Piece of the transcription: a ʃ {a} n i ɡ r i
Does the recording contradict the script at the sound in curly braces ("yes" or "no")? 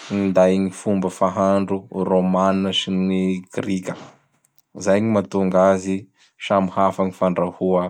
yes